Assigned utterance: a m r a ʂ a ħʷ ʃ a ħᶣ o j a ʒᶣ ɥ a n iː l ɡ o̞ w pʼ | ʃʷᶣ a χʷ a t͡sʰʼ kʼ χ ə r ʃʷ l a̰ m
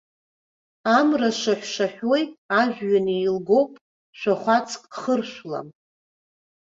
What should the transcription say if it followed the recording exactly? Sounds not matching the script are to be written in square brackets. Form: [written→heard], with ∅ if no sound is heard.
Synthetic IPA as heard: a m r a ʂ a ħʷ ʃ a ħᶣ o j a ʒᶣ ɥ a n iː l ɡ o̞ w pʼ | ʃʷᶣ a χʷ a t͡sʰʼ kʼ χ ə r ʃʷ l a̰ m